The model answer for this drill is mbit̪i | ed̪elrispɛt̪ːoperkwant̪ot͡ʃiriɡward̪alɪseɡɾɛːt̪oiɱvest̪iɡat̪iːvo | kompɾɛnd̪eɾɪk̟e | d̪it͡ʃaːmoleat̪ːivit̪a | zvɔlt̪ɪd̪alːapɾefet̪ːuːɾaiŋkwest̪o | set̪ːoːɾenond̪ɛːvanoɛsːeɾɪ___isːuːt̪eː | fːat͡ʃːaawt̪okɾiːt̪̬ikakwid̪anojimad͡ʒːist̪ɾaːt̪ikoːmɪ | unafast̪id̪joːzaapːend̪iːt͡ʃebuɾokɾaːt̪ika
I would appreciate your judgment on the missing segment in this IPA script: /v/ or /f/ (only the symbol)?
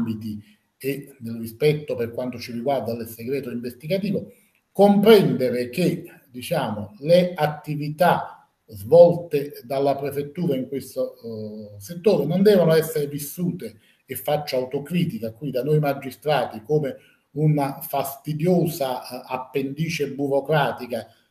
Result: v